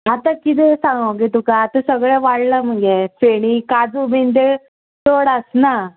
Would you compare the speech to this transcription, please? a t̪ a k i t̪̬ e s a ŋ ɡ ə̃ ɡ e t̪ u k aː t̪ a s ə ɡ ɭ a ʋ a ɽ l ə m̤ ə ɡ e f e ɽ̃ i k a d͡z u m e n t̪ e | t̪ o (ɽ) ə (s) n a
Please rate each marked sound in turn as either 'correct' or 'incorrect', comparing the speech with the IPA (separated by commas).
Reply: correct, correct